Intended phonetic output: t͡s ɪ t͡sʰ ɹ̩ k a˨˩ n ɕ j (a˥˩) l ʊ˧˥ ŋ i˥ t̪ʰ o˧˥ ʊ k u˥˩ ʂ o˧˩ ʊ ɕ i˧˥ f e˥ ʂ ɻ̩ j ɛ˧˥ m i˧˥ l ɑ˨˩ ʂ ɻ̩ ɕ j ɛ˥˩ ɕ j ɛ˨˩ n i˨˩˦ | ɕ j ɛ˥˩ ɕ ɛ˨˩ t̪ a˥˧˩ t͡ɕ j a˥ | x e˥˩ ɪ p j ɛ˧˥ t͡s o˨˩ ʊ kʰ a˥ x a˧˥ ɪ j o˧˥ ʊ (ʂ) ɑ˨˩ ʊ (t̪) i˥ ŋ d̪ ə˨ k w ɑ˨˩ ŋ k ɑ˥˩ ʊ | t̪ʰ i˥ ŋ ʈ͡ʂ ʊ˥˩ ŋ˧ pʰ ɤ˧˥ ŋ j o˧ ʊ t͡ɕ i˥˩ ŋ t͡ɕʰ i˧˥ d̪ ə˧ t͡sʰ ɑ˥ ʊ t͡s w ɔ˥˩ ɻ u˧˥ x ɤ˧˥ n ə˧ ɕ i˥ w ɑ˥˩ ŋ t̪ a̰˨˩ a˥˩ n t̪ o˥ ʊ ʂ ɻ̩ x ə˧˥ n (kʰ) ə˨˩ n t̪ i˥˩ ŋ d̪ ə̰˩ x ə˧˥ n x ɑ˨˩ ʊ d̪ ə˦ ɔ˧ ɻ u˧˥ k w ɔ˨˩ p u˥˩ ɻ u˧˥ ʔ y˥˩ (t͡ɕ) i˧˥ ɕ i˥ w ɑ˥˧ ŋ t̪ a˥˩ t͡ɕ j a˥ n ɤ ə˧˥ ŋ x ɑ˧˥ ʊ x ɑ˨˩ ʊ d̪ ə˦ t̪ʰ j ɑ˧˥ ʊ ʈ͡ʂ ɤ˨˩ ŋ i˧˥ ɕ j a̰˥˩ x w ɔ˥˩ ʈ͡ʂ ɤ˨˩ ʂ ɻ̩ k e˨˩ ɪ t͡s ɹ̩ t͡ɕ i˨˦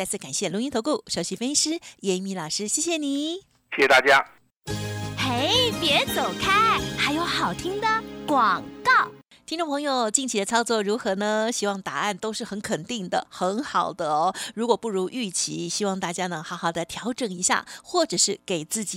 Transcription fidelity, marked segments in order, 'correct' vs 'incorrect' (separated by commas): incorrect, incorrect, incorrect, correct, incorrect